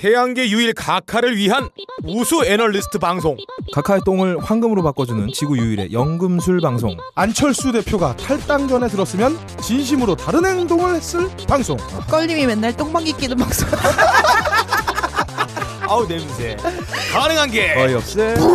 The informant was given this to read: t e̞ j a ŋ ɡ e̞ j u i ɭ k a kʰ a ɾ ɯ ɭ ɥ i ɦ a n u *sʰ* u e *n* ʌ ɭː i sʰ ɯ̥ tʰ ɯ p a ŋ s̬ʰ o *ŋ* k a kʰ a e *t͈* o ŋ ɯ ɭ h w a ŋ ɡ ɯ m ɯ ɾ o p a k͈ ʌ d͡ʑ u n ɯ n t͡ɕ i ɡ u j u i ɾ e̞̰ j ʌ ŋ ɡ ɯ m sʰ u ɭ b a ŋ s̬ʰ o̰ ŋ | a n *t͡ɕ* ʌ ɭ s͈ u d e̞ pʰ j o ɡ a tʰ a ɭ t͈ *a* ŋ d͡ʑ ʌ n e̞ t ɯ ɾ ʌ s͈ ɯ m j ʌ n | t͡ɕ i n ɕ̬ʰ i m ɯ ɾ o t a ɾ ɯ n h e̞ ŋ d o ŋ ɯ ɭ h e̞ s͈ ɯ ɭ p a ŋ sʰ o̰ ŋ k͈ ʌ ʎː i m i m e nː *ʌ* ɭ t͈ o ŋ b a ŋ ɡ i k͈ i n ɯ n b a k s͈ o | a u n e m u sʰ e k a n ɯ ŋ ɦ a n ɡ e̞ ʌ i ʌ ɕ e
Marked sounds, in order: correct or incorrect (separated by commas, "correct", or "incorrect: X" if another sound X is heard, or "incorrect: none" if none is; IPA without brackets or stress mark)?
correct, correct, correct, correct, incorrect: t͡ɕʰ, correct, incorrect: a